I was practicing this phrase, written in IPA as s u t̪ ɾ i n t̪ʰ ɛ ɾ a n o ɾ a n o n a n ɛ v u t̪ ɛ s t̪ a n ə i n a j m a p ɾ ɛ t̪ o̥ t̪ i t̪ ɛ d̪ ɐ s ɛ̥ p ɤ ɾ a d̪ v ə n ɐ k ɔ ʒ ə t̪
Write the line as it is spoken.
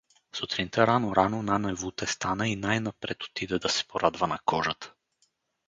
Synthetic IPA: s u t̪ ɾ i n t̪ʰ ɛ ɾ a n o ɾ a n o n a n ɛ v u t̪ ɛ s t̪ a n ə i n a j n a p ɾ ɛ t̪ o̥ t̪ i d̪ ɛ d̪ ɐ s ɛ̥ p o ɾ a d̪ v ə n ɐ k ɔ ʒ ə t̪